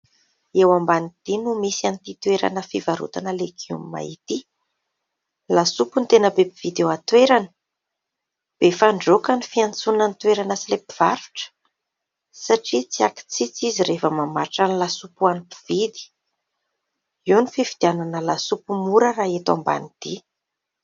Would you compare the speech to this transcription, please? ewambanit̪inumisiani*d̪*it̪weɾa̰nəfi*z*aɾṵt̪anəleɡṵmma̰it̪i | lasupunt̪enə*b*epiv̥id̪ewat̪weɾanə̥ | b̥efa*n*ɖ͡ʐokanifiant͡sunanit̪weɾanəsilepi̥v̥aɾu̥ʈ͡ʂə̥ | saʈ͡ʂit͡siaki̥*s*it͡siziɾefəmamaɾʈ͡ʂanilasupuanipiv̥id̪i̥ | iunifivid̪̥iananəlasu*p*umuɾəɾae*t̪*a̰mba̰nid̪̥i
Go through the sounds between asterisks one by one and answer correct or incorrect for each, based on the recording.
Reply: incorrect: t̪, incorrect: v, correct, incorrect: ɳ, incorrect: t͡s, correct, correct

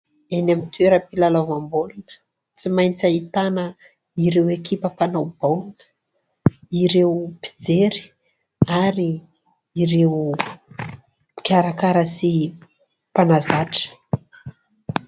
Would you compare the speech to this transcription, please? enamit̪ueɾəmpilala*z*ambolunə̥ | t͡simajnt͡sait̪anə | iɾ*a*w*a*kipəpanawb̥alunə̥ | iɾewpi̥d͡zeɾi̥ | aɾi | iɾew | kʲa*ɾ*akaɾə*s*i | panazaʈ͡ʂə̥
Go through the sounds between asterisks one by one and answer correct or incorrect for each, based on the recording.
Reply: incorrect: v, incorrect: e, incorrect: e, correct, correct

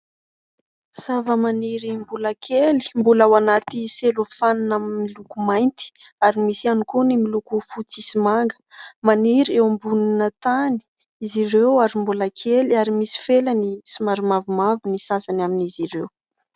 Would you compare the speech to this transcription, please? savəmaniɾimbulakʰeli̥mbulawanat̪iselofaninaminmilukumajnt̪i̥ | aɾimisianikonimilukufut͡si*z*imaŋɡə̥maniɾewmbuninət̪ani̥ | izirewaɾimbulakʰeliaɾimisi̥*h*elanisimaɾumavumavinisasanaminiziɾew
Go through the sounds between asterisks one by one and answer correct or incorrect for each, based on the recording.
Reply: incorrect: s, incorrect: f

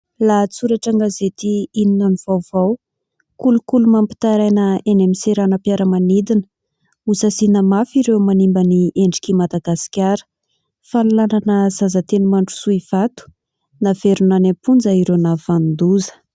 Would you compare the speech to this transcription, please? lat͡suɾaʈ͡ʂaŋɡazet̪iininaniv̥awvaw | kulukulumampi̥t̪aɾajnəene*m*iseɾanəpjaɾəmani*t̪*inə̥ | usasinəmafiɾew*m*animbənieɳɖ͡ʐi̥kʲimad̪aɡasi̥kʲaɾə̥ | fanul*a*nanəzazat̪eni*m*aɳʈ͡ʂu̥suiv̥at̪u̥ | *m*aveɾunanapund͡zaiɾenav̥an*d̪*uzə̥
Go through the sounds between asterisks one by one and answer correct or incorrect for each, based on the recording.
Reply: correct, incorrect: d̪, correct, correct, correct, incorrect: n, correct

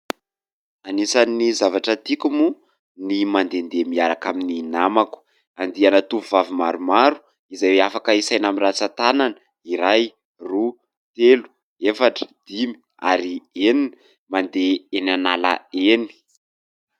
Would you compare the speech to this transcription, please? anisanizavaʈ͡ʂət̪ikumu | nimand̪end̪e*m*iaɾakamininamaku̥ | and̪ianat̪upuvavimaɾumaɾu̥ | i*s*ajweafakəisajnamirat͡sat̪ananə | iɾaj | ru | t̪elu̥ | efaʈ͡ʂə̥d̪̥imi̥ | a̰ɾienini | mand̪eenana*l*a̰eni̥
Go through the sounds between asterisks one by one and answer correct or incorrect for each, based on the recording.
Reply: correct, incorrect: z, correct

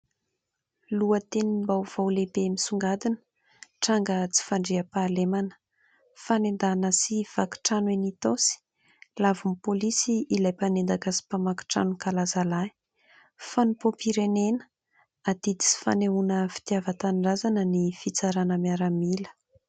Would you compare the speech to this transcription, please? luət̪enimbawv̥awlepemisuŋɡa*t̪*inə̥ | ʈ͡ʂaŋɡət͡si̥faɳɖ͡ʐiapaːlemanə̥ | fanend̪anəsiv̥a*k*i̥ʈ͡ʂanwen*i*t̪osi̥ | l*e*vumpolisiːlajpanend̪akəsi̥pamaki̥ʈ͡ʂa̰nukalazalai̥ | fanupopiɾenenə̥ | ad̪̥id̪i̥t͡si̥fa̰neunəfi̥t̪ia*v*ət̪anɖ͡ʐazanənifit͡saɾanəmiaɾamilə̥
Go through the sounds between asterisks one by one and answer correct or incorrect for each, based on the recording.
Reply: incorrect: d̪, correct, correct, incorrect: a, correct

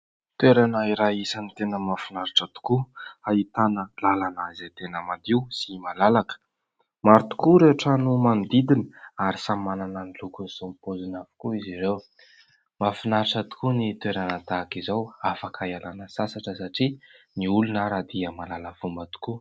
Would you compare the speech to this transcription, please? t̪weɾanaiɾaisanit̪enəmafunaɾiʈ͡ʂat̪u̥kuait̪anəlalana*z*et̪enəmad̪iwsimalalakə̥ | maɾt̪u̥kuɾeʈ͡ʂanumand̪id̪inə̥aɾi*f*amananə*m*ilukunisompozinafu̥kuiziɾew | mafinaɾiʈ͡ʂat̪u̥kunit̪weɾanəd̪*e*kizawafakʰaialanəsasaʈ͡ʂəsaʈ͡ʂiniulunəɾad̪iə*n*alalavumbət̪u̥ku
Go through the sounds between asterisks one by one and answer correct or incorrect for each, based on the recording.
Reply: correct, incorrect: s, incorrect: n, incorrect: a, incorrect: m

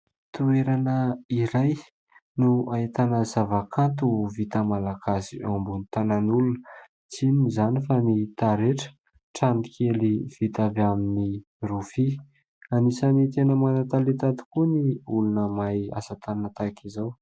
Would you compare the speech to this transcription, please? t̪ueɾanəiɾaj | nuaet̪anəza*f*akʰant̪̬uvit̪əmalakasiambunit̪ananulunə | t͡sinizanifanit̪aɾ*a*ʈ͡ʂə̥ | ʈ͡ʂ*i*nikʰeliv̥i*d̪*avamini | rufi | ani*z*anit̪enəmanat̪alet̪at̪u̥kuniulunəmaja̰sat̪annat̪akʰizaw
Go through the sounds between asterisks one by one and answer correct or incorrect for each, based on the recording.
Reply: incorrect: v, incorrect: e, incorrect: a, incorrect: t̪, incorrect: s

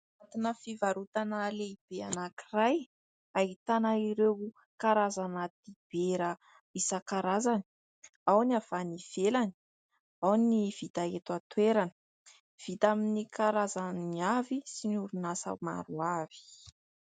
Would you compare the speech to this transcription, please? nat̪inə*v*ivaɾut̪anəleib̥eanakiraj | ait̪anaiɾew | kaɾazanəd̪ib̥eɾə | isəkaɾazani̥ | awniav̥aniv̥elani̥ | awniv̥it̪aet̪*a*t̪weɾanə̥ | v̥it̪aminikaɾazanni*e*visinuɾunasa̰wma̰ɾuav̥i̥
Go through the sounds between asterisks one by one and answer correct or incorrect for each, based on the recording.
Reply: incorrect: f, correct, incorrect: a

